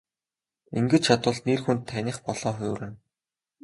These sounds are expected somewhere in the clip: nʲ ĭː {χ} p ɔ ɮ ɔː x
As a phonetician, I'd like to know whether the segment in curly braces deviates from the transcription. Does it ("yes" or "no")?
no